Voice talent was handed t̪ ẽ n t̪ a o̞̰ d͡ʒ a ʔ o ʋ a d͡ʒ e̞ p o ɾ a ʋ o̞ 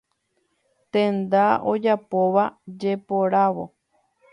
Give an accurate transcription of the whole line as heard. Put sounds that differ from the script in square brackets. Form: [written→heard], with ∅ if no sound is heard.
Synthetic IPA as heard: t̪ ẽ n [t̪→d̪] a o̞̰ d͡ʒ a [ʔ→p] o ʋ a d͡ʒ e̞ p o ɾ a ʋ o̞